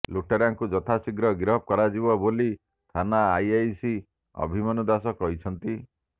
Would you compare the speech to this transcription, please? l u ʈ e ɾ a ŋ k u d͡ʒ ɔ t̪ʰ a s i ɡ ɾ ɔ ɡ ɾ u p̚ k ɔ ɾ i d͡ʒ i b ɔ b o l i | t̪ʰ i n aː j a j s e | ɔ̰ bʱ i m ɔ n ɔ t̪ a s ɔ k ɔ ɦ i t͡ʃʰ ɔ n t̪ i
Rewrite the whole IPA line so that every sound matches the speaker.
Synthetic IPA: l u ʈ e ɾ a ŋ k u d͡ʒ ɔ t̪ʰ a s i ɡ ɾ ɔ ɡ ɾ ɔ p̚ k ɔ ɾ a d͡ʒ i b ɔ b o l i | t̪ʰ a n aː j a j s i | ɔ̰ bʱ i m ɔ n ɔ d̪ a s ɔ k ɔ ɦ i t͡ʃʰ ɔ n t̪ i